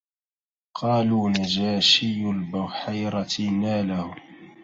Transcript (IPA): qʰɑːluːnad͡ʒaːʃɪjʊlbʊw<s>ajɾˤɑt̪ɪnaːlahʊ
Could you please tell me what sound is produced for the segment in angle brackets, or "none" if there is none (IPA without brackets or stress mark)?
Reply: ħ